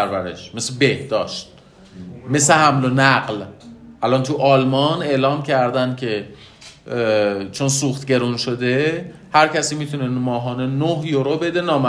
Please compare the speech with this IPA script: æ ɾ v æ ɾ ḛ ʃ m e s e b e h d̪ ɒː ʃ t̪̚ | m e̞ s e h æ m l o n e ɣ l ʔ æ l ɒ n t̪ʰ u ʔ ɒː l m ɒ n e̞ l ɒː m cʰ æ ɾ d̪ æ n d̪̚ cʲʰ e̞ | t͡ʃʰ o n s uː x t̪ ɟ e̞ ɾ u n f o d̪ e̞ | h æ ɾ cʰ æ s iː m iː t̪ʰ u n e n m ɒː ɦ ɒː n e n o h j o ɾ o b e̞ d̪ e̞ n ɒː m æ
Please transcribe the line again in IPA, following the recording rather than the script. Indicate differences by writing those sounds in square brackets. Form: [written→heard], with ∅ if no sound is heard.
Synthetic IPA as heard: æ ɾ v æ ɾ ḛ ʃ m e s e b e h d̪ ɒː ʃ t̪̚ | m e̞ s e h æ m l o n [e→æ] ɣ l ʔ æ l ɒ n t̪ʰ u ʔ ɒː l m ɒ n e̞ l ɒː m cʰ æ ɾ d̪ æ n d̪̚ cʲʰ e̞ | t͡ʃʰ o n s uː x t̪ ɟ e̞ ɾ u n [f→ʃ] o d̪ e̞ | h æ ɾ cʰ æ s iː m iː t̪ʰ u n e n m ɒː ɦ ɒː n e n o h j o ɾ o b e̞ d̪ e̞ n ɒː m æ